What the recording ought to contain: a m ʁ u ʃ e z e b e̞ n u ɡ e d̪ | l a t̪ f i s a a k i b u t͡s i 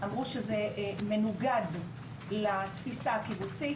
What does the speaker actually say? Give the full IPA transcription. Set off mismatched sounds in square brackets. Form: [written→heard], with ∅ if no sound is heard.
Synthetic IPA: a m ʁ u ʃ e z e [b→m] e̞ n u ɡ [e→a] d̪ | l a t̪ f i s a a k i b u t͡s i